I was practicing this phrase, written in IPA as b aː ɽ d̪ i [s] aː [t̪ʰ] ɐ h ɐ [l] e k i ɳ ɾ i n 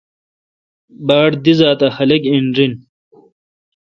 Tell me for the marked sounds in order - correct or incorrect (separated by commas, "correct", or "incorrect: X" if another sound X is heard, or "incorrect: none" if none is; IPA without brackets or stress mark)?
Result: incorrect: z, incorrect: t̪, correct